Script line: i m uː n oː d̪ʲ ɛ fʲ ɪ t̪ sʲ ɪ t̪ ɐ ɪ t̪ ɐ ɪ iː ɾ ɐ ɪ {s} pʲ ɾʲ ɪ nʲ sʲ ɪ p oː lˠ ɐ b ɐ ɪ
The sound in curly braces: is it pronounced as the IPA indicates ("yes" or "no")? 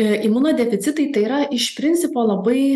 no